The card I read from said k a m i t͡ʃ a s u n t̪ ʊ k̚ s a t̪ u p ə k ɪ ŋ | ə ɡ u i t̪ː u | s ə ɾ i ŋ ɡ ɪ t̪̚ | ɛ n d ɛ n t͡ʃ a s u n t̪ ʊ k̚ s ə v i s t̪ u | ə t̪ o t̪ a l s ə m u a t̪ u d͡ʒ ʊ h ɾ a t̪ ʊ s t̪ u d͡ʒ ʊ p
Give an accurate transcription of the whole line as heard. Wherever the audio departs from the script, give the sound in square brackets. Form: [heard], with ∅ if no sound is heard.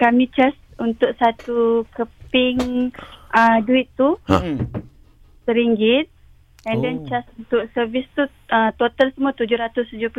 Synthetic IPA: k a m i t͡ʃ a s u n t̪ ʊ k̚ s a t̪ u [k] ə [p] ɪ ŋ | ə [d] u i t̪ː u | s ə ɾ i ŋ ɡ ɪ t̪̚ | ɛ n d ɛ n t͡ʃ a s u n t̪ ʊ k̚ s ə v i s t̪ u | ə t̪ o t̪ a l s ə m u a t̪ u d͡ʒ ʊ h ɾ a t̪ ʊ s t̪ u d͡ʒ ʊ p